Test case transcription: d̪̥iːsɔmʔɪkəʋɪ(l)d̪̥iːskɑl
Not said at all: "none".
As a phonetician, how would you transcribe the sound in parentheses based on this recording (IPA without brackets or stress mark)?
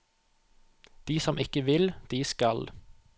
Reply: l